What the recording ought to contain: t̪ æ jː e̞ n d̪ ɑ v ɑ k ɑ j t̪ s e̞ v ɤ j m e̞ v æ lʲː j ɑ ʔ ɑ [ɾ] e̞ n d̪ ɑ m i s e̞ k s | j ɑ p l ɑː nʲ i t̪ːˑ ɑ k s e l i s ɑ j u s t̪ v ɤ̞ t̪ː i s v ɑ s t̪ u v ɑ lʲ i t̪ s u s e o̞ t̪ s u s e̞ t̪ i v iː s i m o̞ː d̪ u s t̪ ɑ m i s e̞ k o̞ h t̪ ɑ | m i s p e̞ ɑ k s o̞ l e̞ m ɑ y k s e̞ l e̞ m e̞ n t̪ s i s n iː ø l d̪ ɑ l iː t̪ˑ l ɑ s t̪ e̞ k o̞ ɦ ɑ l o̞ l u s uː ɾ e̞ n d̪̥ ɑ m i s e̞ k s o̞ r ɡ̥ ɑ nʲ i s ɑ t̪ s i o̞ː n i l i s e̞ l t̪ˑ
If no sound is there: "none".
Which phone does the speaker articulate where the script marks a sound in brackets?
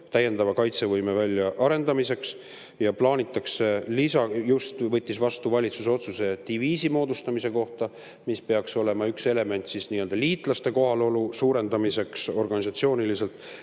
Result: ɾ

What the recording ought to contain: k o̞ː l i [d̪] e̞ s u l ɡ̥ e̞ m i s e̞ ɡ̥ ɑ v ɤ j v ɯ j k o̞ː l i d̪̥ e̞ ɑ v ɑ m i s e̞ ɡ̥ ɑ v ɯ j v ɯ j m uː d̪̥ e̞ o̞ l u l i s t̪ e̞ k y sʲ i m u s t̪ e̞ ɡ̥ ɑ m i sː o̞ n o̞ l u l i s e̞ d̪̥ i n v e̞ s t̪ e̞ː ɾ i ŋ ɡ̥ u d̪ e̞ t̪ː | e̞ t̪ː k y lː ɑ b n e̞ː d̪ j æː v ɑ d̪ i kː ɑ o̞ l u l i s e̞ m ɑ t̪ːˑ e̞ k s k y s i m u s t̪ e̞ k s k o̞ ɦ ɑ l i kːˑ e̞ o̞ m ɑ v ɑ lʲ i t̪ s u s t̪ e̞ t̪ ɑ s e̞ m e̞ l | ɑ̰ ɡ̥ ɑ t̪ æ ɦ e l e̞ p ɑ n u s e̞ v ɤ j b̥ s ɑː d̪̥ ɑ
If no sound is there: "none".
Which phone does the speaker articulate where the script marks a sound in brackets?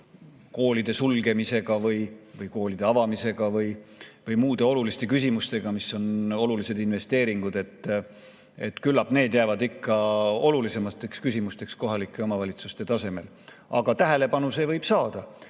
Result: d̪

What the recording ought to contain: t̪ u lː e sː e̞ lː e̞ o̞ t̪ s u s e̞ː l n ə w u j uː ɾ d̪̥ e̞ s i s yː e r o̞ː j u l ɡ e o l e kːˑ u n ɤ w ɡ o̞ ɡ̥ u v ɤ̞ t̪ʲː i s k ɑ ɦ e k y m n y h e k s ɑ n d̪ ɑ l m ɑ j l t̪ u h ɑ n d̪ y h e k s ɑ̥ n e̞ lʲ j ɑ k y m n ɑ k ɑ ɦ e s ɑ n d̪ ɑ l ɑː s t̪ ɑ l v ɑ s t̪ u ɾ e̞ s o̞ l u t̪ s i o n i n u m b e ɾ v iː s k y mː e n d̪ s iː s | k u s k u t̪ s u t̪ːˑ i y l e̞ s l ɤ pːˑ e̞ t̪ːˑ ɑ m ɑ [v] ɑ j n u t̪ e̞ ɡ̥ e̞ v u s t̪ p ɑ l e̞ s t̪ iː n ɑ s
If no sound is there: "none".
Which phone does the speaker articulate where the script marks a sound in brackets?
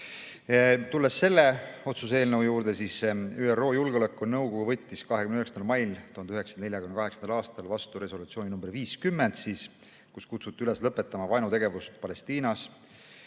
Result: v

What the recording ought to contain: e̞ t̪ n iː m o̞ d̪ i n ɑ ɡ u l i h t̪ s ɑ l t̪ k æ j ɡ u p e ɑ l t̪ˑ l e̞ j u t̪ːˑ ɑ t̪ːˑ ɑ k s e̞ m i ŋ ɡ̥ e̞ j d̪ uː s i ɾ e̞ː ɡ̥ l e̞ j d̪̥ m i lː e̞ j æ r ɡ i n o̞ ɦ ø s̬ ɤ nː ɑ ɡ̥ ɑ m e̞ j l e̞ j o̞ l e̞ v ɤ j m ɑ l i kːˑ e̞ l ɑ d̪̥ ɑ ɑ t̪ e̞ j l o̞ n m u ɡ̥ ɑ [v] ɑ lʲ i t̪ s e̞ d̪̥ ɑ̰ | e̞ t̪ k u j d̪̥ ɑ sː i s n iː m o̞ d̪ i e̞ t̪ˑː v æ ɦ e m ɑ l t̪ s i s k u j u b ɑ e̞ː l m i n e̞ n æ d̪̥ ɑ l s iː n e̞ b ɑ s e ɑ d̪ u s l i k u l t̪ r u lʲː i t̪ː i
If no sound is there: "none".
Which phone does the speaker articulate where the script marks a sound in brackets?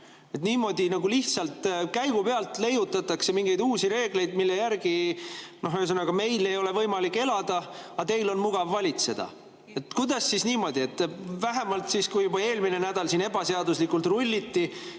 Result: vː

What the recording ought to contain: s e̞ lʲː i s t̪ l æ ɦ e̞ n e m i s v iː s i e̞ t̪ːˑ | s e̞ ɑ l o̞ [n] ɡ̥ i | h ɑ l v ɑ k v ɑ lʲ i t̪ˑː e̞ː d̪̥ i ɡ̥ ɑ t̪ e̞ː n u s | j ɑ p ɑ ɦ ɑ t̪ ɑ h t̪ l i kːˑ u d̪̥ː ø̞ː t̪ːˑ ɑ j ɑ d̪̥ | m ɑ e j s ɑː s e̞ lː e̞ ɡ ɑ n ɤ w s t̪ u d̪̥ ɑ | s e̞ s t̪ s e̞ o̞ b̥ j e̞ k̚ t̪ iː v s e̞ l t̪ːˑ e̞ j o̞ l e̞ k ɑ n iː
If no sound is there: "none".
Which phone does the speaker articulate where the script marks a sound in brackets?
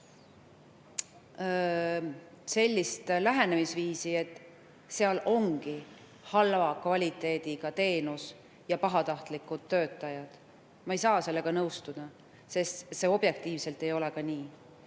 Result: ŋ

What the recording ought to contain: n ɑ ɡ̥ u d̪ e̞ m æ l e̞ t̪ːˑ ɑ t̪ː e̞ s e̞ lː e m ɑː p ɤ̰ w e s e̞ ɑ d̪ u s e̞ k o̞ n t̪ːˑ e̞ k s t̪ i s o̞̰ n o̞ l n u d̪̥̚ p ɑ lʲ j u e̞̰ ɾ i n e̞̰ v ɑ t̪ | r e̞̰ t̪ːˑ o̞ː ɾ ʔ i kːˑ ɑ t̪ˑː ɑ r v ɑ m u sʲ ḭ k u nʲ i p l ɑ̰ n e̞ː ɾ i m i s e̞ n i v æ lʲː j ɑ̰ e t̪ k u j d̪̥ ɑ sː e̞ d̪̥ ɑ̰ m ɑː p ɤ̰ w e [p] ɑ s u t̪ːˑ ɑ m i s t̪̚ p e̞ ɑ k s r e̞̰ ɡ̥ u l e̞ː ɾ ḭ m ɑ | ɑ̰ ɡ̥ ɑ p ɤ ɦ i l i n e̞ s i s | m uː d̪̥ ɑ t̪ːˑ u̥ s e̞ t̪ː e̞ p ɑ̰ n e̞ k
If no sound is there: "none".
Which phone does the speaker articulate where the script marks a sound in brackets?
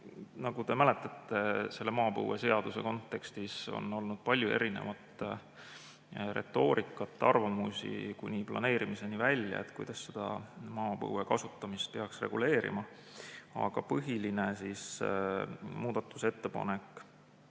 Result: k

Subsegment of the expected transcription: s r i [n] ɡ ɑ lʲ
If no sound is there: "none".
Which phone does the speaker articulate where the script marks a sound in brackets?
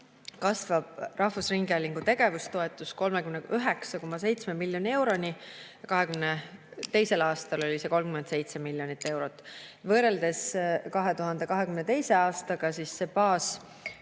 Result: ŋ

